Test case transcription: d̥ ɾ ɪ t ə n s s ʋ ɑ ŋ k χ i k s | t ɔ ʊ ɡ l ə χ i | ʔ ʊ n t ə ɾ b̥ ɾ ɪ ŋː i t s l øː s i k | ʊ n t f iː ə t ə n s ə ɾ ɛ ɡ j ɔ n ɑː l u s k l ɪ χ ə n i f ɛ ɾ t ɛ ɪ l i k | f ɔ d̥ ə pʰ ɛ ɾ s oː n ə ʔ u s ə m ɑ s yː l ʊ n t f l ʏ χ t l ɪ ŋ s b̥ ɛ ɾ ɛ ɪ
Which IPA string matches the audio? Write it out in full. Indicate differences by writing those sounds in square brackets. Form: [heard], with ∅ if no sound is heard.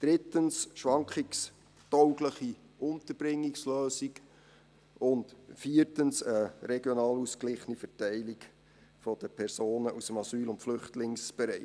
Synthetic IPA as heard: d̥ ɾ ɪ t ə n s [ʃ] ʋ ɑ ŋ k χ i k s | t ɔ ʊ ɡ l ə χ i | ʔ ʊ n t ə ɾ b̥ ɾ ɪ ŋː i [k] s l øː s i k | ʊ n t f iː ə t ə n s ə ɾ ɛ ɡ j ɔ n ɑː l u s k l ɪ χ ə n i f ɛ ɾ t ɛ ɪ l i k | f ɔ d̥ ə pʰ ɛ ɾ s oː n ə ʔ u s ə m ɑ s yː l ʊ n t f l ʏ χ t l ɪ ŋ s b̥ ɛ ɾ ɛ ɪ